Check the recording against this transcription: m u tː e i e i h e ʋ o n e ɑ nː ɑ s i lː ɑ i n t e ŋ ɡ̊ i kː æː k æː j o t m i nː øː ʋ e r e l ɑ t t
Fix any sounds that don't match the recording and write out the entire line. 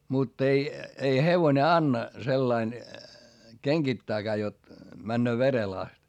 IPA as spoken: m u tː e i e i h e ʋ o n e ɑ nː ɑ s e lː ɑ i n k e ŋ ɡ̊ i tː æː k æː j o t m æ nː øː ʋ e r e l ɑ s t